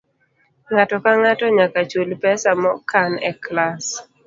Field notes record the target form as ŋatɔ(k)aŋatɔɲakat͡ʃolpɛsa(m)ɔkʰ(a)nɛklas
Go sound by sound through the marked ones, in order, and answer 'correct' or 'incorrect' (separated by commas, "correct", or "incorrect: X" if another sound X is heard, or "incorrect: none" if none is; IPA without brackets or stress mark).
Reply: correct, correct, correct